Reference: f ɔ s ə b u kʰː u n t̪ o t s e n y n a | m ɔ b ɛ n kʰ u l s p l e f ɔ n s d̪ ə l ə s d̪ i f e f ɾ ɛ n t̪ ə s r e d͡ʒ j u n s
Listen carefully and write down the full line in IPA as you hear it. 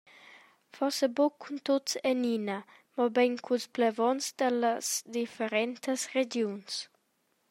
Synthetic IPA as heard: f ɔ s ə b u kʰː u n t̪ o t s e n i n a | m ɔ b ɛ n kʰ u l s p l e v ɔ n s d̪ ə l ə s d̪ i f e ɾ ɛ n t̪ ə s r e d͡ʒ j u n s